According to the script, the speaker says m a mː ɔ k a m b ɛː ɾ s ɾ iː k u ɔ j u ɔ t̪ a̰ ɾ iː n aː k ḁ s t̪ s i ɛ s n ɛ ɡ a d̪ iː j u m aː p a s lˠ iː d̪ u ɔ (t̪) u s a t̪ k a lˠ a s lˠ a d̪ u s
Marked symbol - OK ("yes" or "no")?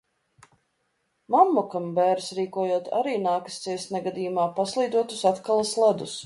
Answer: yes